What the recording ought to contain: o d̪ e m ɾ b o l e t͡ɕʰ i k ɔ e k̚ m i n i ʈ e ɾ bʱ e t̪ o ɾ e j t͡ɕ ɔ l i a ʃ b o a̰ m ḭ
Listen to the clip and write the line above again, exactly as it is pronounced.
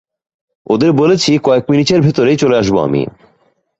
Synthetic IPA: o d̪ e ɾ b o l e t͡ɕʰ i k ɔ e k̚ m i n i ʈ e ɾ bʱ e t̪ o ɾ e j t͡ɕ o l e a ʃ b o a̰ m ḭ